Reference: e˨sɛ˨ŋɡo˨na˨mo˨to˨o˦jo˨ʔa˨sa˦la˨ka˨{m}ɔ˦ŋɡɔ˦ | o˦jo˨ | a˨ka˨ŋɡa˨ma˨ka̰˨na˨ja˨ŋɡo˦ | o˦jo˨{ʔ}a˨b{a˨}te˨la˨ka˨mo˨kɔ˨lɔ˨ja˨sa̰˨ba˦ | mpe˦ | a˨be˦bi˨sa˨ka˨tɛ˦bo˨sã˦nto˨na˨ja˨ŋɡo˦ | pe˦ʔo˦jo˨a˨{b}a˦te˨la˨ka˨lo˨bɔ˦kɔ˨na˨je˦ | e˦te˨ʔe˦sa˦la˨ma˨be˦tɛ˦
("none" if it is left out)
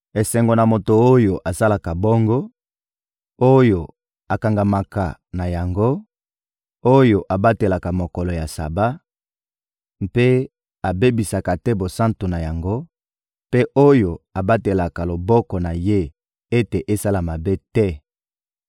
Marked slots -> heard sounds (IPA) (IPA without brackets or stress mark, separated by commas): b, ʔ, a˦, b